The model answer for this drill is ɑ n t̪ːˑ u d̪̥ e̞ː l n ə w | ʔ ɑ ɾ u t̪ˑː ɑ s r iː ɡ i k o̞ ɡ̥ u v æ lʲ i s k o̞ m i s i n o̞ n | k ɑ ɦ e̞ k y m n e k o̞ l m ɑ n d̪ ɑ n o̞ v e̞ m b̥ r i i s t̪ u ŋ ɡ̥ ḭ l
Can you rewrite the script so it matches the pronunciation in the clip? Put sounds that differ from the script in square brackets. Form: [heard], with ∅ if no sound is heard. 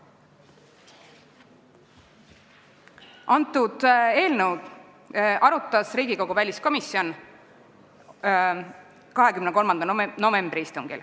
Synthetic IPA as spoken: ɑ n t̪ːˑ u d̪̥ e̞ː l n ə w | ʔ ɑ ɾ u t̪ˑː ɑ s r iː ɡ i k o̞ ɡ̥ u v æ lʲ i s k o̞ m i s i [∅] o̞ n | k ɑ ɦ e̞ k y m n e k o̞ l m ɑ n d̪ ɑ n o̞ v e̞ m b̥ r i i s t̪ u ŋ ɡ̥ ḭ l